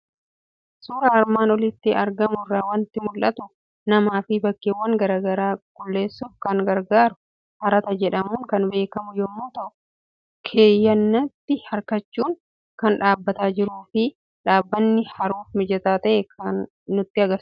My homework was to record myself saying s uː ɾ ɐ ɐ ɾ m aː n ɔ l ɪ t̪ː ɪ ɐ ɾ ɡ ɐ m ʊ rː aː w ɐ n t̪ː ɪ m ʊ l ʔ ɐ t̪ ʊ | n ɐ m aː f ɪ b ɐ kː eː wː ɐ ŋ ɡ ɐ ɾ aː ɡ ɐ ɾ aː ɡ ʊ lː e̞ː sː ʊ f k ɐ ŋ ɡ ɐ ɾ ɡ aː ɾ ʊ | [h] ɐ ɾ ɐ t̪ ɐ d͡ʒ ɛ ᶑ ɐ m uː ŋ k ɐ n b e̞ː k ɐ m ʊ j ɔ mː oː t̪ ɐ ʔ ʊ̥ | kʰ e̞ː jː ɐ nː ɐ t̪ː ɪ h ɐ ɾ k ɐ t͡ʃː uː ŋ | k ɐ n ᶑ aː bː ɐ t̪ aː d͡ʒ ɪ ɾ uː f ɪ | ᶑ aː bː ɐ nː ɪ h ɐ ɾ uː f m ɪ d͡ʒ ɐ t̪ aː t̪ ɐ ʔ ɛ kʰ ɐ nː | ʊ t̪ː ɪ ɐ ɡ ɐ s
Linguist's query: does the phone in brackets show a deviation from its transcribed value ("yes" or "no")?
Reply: no